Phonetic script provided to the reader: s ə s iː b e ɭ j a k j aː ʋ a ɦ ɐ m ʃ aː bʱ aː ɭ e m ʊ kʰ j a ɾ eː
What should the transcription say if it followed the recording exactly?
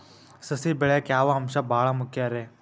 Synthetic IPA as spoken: s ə s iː b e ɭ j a k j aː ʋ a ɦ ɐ m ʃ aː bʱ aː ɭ a m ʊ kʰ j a ɾ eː